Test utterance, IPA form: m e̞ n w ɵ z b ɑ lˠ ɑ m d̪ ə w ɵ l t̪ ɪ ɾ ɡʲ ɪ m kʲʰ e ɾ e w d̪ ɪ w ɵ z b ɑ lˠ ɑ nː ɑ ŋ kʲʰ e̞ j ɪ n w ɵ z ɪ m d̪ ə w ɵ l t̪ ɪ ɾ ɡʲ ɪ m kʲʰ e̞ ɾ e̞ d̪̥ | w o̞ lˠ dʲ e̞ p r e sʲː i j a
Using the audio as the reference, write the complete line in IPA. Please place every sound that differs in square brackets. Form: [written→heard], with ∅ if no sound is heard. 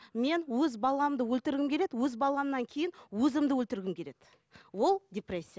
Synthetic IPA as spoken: m e̞ n w ɵ z b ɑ lˠ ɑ m d̪ ə w ɵ l t̪ ɪ ɾ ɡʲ ɪ m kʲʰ e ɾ e [w→∅] d̪ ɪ w ɵ z b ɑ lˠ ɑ nː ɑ ŋ kʲʰ e̞ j ɪ n w ɵ z ɪ m d̪ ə w ɵ l t̪ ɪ ɾ ɡʲ ɪ m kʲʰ e̞ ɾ e̞ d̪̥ | w o̞ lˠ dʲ e̞ p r e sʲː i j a

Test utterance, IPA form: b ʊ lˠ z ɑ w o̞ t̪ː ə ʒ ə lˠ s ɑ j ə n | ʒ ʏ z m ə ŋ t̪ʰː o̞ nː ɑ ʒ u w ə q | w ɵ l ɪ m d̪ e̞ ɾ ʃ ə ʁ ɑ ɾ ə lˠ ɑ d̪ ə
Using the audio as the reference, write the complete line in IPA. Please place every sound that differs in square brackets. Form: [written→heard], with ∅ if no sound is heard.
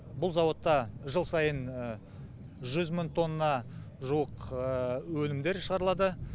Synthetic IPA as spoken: b ʊ lˠ z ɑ w o̞ t̪ː [ə→ɑ] ʒ ə lˠ s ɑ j ə n | ʒ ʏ z m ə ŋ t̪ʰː o̞ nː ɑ ʒ u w ə q | w ɵ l ɪ m d̪ e̞ ɾ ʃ ə ʁ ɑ ɾ ə lˠ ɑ d̪ ə

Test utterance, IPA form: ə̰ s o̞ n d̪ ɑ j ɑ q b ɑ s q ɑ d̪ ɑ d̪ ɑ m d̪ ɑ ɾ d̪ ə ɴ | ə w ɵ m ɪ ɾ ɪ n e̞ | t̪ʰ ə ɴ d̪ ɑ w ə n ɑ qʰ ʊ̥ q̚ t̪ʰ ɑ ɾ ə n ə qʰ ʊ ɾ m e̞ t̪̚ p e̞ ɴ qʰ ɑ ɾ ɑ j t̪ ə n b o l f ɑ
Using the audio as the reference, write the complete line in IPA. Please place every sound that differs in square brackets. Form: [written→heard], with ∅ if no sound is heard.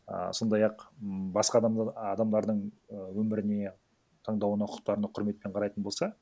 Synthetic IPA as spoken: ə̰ s o̞ n d̪ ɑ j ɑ q b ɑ s q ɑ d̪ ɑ d̪ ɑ m d̪ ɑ ɾ d̪ ə ɴ | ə w ɵ m ɪ ɾ ɪ n e̞ | t̪ʰ [ə→ɑ] ɴ d̪ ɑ w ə n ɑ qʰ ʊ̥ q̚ [t̪ʰ→t̪] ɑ ɾ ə n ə qʰ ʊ ɾ m e̞ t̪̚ p e̞ ɴ qʰ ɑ ɾ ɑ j t̪ ə n b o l [f→s] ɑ

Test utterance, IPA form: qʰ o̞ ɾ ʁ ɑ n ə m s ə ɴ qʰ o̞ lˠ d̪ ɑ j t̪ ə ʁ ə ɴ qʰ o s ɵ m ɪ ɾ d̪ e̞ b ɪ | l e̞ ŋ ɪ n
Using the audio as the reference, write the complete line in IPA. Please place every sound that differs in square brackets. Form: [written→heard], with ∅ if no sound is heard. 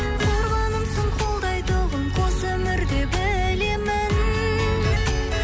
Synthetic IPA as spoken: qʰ o̞ ɾ ʁ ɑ n ə m s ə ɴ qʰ o̞ lˠ d̪ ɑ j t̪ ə ʁ ə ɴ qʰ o s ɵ m ɪ ɾ d̪ e̞ b ɪ | l e̞ [ŋ→m] ɪ n

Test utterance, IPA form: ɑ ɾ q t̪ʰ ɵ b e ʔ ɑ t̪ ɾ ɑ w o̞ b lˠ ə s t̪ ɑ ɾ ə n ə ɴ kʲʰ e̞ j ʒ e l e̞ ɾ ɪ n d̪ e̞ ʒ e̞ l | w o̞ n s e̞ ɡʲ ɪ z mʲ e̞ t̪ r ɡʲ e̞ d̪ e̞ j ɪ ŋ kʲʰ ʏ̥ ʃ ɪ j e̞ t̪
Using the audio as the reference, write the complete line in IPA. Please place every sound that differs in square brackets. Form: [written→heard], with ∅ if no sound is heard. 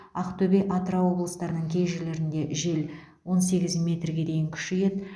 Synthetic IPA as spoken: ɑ [ɾ→∅] q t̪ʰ ɵ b e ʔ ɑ t̪ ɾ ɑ w o̞ b lˠ ə s t̪ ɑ ɾ ə n ə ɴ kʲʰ e̞ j ʒ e l e̞ ɾ ɪ n d̪ e̞ ʒ e̞ l | w o̞ n s e̞ ɡʲ ɪ z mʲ e̞ t̪ r ɡʲ e̞ d̪ e̞ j ɪ ŋ kʲʰ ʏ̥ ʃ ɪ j e̞ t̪

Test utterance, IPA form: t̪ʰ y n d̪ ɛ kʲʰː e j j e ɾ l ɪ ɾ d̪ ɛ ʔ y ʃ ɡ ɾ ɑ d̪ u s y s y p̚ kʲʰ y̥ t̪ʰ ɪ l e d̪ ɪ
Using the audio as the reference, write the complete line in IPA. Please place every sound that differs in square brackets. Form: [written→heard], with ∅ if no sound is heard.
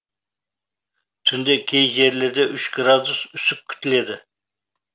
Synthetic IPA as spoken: t̪ʰ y n d̪ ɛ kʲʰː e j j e ɾ l ɪ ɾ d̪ ɛ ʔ y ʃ ɡ ɾ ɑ d̪ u s y s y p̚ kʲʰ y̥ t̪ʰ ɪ l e d̪ ɪ

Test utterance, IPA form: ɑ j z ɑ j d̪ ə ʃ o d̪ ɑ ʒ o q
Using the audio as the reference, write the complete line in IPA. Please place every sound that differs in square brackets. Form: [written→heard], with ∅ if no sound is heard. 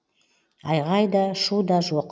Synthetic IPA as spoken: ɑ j [z→ʁ] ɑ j d̪ [ə→ɑ] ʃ [o→u] d̪ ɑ ʒ o q

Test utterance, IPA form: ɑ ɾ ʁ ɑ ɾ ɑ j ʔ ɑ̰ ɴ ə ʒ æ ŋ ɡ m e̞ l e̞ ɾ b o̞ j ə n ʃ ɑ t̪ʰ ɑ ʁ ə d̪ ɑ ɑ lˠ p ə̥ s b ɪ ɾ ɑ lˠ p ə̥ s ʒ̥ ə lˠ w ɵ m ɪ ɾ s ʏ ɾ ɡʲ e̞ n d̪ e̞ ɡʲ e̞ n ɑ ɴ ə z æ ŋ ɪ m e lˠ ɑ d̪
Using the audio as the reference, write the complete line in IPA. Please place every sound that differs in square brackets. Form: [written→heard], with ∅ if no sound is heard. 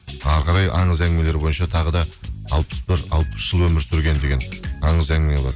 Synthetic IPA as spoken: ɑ ɾ ʁ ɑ ɾ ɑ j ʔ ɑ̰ ɴ ə [ʒ→z] æ ŋ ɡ m e̞ l e̞ ɾ b o̞ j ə n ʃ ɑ t̪ʰ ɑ ʁ ə d̪ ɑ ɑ lˠ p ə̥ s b ɪ ɾ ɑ lˠ p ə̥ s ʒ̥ ə lˠ w ɵ m ɪ ɾ s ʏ ɾ ɡʲ e̞ n d̪ e̞ ɡʲ e̞ n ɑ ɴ ə z æ ŋ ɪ m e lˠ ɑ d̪

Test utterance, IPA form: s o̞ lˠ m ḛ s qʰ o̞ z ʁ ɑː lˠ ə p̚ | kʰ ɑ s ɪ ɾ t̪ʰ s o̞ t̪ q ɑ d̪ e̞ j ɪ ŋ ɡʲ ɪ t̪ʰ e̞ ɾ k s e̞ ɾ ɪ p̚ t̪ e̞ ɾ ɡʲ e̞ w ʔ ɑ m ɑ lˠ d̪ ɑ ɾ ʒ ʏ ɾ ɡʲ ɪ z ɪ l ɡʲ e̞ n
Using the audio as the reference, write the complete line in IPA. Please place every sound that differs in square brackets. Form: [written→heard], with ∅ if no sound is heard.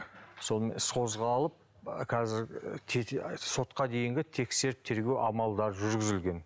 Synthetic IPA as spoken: s o̞ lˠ m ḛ s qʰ o̞ z ʁ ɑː lˠ ə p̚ | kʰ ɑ [s→z] ɪ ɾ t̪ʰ s o̞ t̪ q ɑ d̪ e̞ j ɪ ŋ ɡʲ ɪ t̪ʰ e̞ [ɾ→∅] k s e̞ ɾ ɪ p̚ [t̪→t̪ʰ] e̞ ɾ ɡʲ e̞ w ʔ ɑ m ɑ lˠ d̪ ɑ ɾ ʒ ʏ ɾ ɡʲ ɪ z ɪ l ɡʲ e̞ n

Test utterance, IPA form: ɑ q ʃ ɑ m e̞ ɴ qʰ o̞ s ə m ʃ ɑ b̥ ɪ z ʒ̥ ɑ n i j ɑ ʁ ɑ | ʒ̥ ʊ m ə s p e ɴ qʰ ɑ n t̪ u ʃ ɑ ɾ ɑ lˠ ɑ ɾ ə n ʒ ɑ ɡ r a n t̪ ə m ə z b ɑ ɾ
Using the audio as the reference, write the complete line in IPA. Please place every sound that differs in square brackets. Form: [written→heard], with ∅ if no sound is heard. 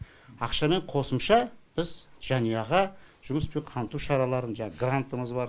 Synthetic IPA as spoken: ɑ q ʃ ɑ m e̞ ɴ qʰ o̞ s ə m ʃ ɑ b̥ ɪ z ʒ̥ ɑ n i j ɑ ʁ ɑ | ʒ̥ ʊ m ə s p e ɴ qʰ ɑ n t̪ u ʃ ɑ ɾ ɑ lˠ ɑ ɾ ə n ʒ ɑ ɡ r a n t̪ ə m ə z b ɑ ɾ

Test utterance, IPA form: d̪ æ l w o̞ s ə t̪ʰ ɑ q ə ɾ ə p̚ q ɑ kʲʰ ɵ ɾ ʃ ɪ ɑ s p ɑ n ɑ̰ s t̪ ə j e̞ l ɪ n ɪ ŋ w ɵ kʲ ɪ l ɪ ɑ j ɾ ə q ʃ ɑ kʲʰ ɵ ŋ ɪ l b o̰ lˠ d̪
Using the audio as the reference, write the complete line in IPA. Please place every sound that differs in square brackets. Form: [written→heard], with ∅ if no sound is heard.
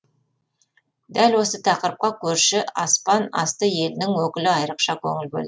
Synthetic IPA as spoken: d̪ æ l w o̞ s ə t̪ʰ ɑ q ə ɾ ə p̚ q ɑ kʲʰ ɵ ɾ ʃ ɪ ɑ s p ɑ n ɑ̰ s t̪ ə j e̞ l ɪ n ɪ ŋ w ɵ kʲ ɪ l ɪ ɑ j ɾ ə q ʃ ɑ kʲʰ ɵ ŋ ɪ l b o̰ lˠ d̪

